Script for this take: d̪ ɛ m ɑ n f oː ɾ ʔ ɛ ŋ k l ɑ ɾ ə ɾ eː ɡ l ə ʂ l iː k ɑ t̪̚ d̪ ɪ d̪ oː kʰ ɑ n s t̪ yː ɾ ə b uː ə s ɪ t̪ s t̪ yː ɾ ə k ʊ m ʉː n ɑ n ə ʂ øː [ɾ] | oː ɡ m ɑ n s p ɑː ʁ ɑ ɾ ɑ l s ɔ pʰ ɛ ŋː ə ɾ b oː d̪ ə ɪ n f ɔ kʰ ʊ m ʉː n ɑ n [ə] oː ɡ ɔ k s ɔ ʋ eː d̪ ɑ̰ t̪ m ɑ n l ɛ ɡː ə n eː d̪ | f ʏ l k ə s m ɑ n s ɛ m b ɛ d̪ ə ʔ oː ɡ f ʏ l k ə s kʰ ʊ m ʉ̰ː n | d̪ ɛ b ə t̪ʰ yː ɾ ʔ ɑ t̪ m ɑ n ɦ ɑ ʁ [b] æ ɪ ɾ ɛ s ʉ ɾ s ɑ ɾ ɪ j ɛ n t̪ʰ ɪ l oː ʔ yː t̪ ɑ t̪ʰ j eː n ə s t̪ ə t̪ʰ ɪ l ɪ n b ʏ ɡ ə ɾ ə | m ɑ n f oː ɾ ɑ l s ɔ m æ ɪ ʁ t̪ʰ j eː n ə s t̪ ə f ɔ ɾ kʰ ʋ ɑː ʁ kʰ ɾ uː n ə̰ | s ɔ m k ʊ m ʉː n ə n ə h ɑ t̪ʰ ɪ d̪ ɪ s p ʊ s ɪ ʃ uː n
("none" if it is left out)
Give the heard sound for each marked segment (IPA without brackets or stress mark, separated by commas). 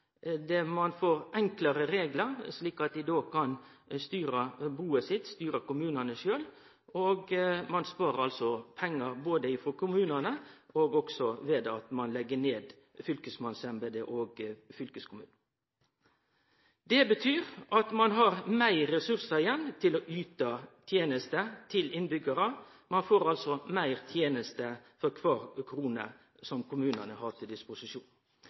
l, ə, m